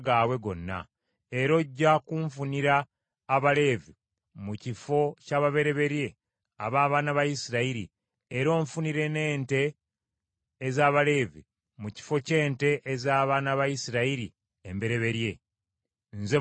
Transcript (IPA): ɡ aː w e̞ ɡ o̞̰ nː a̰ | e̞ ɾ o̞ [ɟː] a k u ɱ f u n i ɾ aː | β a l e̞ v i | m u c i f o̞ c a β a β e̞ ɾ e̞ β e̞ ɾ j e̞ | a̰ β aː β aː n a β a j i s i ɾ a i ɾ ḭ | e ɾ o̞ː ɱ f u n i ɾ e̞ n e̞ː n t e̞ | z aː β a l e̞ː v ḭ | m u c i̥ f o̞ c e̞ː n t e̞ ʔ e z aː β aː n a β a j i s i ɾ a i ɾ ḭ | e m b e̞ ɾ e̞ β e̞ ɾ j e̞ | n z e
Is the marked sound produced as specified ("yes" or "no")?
yes